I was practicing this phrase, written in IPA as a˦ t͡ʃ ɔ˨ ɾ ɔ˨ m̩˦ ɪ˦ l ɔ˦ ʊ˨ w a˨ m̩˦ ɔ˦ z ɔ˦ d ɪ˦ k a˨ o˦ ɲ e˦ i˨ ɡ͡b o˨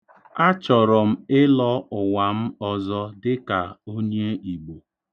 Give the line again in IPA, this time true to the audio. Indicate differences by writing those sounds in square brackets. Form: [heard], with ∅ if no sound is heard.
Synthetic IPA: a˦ t͡ʃ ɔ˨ ɾ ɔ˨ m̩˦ ɪ˦ l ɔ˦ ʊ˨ w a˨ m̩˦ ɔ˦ z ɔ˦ d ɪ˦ k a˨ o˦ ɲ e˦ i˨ ɡ͡b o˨